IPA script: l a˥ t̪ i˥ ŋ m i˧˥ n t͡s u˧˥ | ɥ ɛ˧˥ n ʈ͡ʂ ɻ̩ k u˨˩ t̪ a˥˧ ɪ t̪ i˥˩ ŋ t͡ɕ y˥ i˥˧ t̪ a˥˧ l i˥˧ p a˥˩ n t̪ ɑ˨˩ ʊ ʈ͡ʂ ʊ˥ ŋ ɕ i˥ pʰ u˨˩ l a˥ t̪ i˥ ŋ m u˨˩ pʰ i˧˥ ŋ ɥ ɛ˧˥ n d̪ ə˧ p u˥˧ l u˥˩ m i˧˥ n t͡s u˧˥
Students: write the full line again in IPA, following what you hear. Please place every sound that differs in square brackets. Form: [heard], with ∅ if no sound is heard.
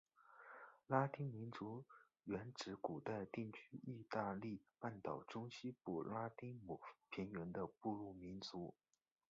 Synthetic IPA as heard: l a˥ t̪ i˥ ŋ m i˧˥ n t͡s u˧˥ | ɥ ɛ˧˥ n ʈ͡ʂ ɻ̩ k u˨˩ t̪ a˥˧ ɪ t̪ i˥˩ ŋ [t͡ɕʰ] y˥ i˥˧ t̪ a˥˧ l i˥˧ p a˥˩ n t̪ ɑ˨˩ ʊ ʈ͡ʂ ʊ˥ ŋ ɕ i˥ [p] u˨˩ l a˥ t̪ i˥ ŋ m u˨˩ pʰ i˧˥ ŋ ɥ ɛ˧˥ n d̪ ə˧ p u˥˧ l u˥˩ m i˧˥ n t͡s u˧˥

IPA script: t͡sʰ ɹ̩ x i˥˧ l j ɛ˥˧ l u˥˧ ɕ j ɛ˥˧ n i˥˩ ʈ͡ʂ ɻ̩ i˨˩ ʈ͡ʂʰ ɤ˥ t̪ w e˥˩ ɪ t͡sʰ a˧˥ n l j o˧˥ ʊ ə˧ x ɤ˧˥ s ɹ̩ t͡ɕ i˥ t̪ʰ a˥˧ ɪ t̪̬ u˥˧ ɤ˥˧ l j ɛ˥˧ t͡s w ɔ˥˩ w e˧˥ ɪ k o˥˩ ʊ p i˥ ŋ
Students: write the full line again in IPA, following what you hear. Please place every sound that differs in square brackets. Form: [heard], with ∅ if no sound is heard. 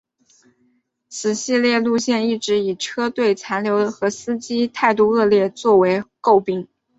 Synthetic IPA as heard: t͡sʰ ɹ̩ [ɕ] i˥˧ l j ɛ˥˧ l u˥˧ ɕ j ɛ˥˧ n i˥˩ ʈ͡ʂ ɻ̩ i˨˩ ʈ͡ʂʰ ɤ˥ t̪ w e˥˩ ɪ t͡sʰ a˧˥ n l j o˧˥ ʊ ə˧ x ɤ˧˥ s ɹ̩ t͡ɕ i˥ t̪ʰ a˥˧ ɪ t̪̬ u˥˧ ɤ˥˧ l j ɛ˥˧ t͡s w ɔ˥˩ w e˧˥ ɪ k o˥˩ ʊ p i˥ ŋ

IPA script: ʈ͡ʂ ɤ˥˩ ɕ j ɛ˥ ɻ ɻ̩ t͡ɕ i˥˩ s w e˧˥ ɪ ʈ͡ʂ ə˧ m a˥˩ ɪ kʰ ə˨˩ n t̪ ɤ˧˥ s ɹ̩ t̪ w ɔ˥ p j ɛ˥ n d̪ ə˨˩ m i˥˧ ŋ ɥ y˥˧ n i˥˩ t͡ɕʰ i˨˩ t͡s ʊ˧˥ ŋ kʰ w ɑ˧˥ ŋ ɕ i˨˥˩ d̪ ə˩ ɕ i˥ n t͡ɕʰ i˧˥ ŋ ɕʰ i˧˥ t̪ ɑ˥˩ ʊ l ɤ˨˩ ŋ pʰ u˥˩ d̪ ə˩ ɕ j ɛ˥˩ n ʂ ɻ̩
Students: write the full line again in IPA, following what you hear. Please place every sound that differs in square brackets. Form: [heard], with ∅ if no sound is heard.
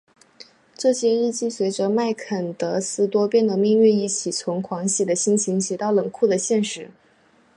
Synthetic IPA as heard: ʈ͡ʂ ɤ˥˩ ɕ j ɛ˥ ɻ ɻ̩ t͡ɕ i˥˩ s w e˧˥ ɪ ʈ͡ʂ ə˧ m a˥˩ ɪ kʰ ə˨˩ n t̪ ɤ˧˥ s ɹ̩ t̪ w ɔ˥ p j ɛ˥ n d̪ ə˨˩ m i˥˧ ŋ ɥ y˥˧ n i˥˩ t͡ɕʰ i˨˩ [t͡sʰ] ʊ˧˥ ŋ kʰ w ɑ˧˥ ŋ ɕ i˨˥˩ d̪ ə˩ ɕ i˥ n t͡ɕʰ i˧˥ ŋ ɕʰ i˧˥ t̪ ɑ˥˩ ʊ l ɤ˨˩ ŋ [kʰ] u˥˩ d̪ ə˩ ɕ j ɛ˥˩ n ʂ ɻ̩

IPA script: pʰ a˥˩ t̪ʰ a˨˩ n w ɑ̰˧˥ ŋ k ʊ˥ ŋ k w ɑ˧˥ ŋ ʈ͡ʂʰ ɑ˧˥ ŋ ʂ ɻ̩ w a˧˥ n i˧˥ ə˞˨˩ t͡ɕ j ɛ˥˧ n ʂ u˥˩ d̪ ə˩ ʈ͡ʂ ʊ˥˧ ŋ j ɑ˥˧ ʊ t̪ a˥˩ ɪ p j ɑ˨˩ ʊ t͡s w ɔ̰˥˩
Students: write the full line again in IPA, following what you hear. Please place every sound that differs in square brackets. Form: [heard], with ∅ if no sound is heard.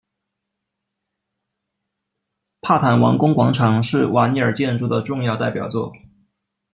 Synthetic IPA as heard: pʰ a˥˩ t̪ʰ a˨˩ n w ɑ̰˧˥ ŋ k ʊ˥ ŋ k w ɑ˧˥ ŋ ʈ͡ʂʰ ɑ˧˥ ŋ ʂ ɻ̩ w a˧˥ n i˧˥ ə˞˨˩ t͡ɕ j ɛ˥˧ n [ʈ͡ʂ] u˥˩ d̪ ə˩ ʈ͡ʂ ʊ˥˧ ŋ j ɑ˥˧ ʊ t̪ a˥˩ ɪ p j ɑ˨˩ ʊ t͡s w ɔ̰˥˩

